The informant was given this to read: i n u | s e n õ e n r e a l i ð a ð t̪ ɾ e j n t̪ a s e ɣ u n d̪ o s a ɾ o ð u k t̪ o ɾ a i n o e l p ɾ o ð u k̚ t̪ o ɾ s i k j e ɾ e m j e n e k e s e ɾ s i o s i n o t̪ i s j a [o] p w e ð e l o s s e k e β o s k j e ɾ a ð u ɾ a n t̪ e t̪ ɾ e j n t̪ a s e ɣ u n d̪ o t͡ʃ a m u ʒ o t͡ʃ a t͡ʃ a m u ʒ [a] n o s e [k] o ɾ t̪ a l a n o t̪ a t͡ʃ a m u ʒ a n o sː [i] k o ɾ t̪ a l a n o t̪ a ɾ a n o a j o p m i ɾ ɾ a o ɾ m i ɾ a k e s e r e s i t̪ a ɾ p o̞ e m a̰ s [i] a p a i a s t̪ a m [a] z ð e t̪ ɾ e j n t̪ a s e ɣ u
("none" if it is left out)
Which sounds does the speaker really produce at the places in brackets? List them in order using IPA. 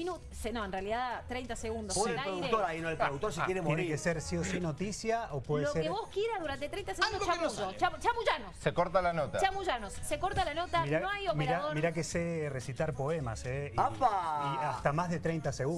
o, a, k, e, e, a

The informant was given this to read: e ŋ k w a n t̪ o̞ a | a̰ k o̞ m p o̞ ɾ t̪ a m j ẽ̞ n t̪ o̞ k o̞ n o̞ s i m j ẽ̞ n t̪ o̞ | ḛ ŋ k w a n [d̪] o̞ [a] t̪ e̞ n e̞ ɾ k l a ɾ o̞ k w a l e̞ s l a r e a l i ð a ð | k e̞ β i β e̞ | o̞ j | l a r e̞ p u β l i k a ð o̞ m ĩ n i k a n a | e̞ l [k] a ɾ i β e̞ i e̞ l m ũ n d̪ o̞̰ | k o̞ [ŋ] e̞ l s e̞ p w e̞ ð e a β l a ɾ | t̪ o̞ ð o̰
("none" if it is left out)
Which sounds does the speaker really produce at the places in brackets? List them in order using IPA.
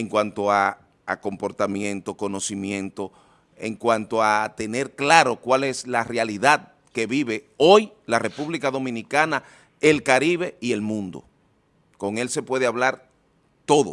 t̪, a, k, ŋ

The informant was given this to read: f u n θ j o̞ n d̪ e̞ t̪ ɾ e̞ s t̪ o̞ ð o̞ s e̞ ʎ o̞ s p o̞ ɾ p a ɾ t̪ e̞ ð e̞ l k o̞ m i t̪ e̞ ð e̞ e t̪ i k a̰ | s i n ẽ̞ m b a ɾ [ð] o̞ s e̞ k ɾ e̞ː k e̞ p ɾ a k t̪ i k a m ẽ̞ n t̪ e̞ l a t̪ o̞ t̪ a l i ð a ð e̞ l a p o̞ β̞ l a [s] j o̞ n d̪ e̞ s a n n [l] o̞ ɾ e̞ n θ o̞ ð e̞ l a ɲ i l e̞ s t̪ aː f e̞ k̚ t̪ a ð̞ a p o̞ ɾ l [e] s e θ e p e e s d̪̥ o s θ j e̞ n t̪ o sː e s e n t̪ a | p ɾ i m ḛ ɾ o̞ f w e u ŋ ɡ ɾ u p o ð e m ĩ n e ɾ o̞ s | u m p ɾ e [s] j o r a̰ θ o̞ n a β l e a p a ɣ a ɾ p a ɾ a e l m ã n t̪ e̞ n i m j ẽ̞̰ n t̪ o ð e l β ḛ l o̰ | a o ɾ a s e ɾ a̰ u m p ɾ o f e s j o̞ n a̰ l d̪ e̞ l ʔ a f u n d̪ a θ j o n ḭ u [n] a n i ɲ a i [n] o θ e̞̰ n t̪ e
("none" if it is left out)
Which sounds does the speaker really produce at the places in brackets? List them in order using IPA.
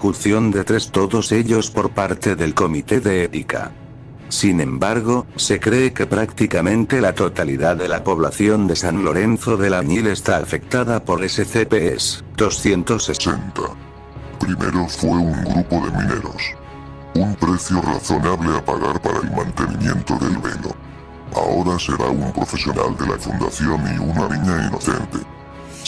ɣ, θ, l, e, θ, n, n

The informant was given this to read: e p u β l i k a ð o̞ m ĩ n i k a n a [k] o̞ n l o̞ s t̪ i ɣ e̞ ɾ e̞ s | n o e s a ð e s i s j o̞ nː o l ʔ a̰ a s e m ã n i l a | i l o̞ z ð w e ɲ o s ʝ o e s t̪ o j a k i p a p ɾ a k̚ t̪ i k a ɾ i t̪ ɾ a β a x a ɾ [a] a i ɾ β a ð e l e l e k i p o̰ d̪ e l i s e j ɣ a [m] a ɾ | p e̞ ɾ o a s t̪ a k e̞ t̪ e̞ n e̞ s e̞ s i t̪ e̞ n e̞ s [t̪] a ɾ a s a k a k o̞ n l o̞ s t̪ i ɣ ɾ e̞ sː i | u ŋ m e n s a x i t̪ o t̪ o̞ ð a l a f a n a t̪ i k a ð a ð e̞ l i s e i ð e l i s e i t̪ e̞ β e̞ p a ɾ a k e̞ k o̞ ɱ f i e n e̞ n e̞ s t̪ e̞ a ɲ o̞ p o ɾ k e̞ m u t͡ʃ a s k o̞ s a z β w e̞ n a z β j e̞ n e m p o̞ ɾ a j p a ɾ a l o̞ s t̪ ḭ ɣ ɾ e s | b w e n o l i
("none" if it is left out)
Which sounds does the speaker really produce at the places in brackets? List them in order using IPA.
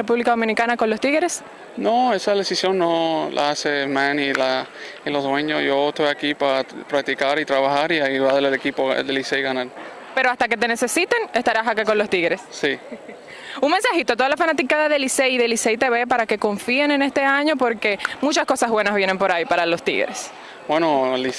k, i, n, t̪

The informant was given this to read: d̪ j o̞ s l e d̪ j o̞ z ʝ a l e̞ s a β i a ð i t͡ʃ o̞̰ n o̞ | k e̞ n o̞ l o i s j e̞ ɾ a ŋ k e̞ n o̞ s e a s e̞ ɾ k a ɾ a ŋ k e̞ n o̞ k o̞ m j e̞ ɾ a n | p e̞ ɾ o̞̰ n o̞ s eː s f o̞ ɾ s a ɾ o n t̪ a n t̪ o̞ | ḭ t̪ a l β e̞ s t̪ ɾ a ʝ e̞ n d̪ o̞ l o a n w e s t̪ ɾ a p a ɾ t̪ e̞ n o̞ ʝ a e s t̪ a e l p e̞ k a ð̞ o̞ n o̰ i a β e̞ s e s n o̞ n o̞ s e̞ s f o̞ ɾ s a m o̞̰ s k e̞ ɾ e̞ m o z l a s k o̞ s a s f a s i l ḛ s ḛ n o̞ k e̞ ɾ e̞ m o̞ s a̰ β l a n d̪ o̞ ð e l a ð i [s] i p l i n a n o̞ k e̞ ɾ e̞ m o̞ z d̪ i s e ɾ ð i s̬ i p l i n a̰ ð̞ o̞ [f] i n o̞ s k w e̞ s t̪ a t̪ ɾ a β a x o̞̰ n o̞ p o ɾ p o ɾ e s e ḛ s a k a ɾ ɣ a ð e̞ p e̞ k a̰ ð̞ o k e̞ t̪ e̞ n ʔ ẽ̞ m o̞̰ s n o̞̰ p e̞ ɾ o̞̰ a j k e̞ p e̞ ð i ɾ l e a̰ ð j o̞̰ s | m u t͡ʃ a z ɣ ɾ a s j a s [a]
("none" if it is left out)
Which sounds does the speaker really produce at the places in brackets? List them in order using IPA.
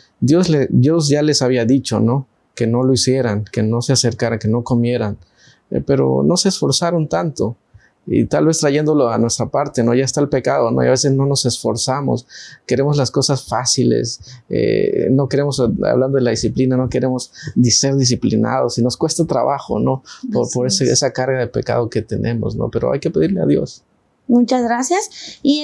s, s, i

